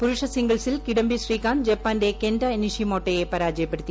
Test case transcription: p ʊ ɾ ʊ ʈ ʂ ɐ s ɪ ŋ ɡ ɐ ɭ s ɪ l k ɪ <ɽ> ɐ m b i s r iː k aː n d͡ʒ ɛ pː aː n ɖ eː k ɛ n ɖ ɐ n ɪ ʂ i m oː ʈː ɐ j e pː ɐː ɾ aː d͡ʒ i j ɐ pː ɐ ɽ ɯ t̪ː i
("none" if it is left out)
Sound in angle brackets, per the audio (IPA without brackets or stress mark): ɽ